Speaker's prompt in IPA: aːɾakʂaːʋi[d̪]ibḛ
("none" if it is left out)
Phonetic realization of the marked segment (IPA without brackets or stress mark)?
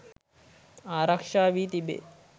t̪